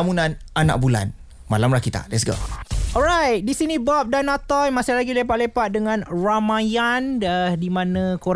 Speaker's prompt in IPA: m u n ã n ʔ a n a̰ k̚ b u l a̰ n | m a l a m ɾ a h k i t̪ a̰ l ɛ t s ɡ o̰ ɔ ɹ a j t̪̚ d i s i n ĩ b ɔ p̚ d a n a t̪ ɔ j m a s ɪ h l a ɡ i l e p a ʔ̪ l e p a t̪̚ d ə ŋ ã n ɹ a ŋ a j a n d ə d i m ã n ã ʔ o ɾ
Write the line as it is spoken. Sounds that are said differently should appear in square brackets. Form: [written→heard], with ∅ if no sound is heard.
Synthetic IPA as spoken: m u n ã n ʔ a n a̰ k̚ b u l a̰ n | m a l a m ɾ a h k i t̪ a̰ l ɛ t s ɡ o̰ ɔ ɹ a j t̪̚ d i s i n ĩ b ɔ p̚ d a n a t̪ ɔ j m a s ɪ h l a ɡ i l e p a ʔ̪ l e p a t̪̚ d ə ŋ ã n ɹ a [ŋ→m] a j a n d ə d i m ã n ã [ʔ→k] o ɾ